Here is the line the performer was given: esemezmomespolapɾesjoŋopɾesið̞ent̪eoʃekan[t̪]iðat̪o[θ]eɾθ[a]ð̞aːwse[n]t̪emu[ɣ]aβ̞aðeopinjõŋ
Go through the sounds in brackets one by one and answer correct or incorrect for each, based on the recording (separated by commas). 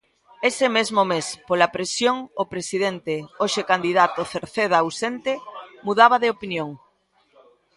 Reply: incorrect, correct, incorrect, correct, incorrect